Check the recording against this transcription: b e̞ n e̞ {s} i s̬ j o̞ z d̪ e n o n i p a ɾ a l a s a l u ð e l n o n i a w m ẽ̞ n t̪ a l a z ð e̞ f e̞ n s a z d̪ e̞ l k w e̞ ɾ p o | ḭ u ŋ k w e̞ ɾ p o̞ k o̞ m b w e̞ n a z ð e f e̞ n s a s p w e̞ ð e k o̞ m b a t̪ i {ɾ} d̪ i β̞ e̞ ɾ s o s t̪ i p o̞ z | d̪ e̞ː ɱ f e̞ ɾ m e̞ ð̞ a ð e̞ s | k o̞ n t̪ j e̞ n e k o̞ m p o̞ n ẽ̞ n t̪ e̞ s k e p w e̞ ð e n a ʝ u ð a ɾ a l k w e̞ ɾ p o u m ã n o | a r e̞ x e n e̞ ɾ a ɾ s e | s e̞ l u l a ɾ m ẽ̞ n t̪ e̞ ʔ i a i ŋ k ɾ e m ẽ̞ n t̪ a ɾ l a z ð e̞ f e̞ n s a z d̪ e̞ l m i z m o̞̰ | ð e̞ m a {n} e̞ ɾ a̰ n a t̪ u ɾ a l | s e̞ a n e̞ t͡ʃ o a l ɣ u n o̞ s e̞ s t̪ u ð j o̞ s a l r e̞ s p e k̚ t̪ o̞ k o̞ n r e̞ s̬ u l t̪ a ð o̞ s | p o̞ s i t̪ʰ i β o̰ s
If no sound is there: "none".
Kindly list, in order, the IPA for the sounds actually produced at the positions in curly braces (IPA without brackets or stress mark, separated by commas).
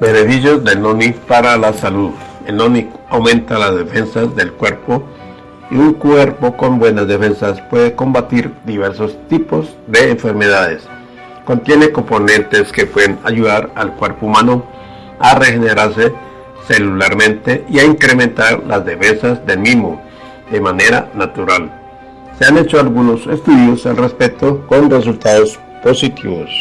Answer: f, ɾ, n